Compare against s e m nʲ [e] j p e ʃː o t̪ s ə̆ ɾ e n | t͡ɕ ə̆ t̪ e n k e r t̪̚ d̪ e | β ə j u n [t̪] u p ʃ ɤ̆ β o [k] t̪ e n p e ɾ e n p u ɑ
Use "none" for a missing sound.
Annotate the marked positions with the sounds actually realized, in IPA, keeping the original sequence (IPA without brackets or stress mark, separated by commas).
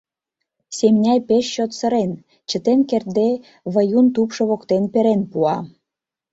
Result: æ, t̪, k